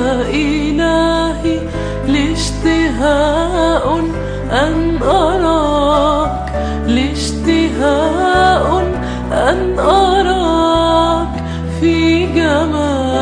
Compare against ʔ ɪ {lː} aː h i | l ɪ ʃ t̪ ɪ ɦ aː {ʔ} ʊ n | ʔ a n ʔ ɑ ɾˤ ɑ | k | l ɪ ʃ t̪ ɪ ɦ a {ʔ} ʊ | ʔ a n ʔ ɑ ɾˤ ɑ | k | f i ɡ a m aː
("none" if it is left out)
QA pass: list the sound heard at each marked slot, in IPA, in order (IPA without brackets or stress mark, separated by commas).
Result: l, ʔ, ʔ